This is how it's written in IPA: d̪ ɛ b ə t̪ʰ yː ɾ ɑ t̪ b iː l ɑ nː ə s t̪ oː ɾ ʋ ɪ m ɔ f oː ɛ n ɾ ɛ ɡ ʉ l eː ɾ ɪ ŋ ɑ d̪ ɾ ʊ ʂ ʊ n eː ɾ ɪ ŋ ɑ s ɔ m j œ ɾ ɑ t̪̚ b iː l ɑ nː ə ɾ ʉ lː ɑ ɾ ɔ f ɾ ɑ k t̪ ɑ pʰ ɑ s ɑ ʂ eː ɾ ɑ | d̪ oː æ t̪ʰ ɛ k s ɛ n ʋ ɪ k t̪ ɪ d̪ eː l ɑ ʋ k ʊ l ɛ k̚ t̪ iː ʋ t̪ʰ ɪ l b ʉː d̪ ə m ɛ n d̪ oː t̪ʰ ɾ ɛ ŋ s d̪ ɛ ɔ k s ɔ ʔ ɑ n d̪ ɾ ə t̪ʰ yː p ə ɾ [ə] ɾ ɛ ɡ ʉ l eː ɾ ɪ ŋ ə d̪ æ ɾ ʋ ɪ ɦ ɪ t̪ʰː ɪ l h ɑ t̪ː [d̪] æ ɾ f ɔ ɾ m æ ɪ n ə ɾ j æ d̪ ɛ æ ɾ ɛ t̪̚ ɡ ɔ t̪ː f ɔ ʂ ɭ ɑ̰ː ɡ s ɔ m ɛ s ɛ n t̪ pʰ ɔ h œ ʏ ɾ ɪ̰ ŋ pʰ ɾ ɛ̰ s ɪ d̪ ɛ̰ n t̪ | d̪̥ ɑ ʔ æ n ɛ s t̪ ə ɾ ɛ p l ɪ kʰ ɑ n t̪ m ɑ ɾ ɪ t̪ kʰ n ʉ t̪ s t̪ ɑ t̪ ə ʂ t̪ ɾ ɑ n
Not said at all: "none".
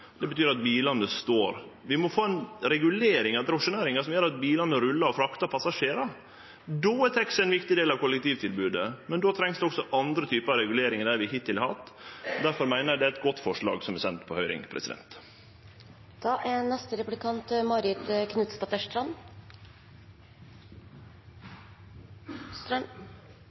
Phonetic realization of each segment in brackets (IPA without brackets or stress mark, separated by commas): ɑ, d̪